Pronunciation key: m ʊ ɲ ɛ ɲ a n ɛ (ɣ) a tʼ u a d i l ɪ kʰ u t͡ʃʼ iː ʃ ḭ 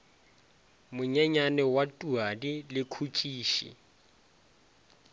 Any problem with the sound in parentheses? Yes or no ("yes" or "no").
yes